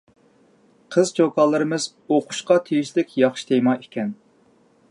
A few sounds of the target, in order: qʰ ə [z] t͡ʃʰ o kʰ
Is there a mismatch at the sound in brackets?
no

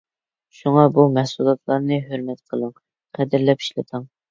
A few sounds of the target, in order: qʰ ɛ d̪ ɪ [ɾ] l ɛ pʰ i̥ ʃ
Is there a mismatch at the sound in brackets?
no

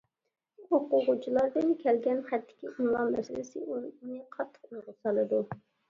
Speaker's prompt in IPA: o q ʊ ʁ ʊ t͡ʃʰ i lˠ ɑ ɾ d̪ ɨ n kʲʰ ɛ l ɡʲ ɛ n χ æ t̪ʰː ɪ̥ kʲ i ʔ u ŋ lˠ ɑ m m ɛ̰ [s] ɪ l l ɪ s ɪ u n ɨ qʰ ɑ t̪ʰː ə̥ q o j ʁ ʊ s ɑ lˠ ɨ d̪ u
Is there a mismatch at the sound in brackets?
no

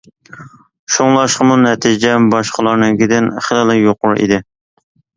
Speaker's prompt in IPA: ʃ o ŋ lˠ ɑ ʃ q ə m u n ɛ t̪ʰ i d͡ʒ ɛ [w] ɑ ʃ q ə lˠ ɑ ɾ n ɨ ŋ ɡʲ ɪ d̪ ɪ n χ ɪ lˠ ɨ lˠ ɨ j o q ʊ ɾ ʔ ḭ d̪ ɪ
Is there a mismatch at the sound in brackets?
yes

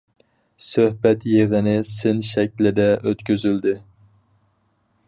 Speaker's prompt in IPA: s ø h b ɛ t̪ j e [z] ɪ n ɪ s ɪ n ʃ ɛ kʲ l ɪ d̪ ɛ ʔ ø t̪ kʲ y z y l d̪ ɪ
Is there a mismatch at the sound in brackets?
yes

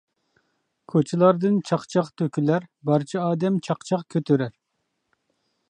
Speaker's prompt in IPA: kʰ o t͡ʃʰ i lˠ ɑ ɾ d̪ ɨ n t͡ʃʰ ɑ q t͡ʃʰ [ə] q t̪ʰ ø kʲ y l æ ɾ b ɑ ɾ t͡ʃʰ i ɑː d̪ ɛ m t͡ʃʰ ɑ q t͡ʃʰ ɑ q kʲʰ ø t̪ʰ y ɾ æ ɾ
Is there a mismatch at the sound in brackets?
yes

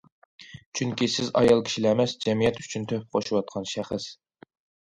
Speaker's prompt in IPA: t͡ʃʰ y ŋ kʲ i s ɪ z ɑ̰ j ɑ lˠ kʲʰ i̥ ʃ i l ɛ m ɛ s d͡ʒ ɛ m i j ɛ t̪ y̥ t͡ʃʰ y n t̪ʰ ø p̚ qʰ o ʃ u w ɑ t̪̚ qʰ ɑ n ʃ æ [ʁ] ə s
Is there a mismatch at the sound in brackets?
yes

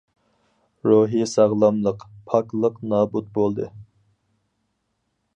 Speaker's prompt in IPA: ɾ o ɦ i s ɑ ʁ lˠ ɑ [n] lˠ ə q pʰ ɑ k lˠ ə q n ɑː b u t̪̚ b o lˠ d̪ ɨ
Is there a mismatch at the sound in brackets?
yes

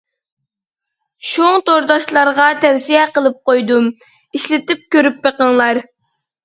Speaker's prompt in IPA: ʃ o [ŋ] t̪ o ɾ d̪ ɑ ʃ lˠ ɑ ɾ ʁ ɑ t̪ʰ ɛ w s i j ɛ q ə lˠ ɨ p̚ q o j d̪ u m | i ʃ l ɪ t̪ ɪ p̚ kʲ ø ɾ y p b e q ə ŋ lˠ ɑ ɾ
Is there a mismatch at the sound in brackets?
no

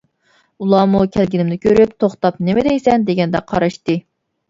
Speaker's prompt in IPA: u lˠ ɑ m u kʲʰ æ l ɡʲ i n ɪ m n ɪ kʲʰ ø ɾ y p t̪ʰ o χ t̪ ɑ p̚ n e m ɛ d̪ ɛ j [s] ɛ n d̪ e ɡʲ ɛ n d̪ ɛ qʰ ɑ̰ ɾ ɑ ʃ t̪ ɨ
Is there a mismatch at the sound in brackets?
no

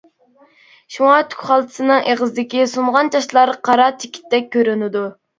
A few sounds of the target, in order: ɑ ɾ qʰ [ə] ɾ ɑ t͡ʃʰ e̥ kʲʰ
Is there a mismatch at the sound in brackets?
yes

